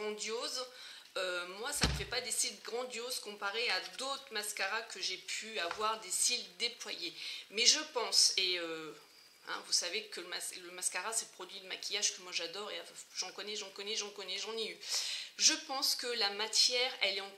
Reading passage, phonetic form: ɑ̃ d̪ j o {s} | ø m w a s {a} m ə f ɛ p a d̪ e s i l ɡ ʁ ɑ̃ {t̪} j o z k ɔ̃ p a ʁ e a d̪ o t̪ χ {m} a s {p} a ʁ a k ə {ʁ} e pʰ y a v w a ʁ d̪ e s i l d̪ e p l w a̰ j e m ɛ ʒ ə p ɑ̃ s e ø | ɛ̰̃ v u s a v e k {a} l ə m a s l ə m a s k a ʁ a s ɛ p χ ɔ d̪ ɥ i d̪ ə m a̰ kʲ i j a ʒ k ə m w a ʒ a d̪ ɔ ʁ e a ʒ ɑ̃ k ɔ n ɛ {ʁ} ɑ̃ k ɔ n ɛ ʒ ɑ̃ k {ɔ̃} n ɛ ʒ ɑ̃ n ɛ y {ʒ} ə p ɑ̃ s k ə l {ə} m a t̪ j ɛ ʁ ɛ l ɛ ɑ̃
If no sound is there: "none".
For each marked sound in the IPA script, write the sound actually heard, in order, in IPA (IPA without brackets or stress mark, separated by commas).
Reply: z, a, d̪, m, k, ʒ, ə, ʒ, ɔ, ʒ, a